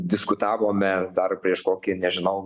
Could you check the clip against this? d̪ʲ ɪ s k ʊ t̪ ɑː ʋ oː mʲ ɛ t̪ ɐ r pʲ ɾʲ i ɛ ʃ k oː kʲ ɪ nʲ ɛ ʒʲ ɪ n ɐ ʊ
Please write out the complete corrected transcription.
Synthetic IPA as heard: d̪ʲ ɪ s k ʊ t̪ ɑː ʋ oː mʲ ɛ d̪ ɐ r pʲ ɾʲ i ɛ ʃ k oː kʲ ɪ nʲ ɛ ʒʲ ɪ n ɐ ʊ